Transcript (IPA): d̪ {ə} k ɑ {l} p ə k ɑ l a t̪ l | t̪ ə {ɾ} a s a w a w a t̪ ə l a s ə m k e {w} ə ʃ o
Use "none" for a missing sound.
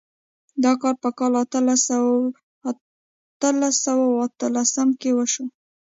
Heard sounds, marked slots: ɑ, ɾ, l, w

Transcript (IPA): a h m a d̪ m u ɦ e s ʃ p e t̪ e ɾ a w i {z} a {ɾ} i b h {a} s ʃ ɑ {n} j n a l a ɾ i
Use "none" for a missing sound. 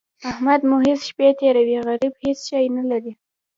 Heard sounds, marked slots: ɣ, ɾ, e, none

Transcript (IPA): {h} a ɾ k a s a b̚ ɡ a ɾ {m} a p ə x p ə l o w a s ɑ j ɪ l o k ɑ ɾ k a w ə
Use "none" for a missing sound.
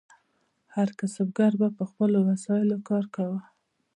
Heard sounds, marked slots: h, b

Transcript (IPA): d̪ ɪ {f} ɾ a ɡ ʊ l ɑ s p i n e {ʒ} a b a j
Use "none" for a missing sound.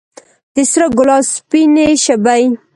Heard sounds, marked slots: s, ʃ

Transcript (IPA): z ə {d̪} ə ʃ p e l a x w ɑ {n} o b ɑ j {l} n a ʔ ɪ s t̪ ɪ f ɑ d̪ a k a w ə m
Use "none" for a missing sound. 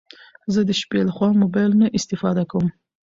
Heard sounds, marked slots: d̪, m, l

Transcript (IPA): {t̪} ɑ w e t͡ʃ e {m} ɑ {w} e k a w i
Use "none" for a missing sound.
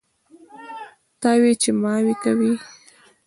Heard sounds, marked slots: t̪, m, w

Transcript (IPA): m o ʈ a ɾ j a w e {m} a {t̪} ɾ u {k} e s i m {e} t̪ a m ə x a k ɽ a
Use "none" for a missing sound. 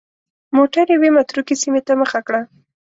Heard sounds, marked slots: m, t̪, k, e

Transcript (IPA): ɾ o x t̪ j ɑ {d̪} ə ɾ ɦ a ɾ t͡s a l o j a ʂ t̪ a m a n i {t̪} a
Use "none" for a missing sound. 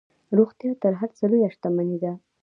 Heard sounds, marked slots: t̪, d̪

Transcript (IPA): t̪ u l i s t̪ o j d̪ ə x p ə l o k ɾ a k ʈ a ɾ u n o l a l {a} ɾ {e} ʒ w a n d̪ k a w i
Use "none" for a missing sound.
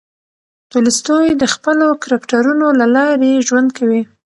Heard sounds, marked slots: ɑ, e

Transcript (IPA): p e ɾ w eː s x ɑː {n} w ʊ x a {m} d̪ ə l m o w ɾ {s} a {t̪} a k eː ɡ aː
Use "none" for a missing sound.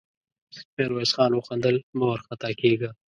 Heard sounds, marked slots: n, n, x, t̪

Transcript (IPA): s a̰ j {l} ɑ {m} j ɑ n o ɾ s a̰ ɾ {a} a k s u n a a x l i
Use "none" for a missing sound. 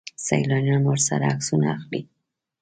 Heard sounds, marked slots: l, n, a

